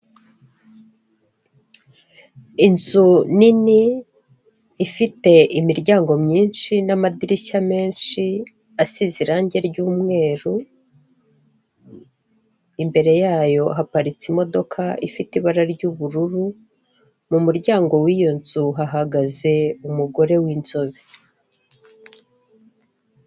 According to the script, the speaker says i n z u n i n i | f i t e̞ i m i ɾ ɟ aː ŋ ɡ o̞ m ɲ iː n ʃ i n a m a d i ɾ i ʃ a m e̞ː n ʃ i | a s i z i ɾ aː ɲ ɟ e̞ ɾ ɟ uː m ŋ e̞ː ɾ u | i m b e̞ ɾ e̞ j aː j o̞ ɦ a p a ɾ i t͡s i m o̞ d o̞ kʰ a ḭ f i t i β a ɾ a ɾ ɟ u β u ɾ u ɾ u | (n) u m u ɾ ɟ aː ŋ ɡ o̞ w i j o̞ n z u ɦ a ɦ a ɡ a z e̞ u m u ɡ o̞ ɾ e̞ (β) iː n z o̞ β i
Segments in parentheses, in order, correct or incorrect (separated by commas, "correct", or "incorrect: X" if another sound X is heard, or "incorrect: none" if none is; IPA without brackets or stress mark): incorrect: m, incorrect: w